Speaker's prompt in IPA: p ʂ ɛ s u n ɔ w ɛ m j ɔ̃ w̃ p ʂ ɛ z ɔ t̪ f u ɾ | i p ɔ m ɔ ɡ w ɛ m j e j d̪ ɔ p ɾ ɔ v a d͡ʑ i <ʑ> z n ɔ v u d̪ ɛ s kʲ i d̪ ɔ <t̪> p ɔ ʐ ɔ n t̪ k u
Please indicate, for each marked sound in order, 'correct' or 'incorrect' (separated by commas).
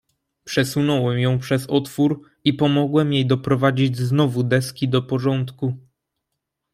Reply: incorrect, incorrect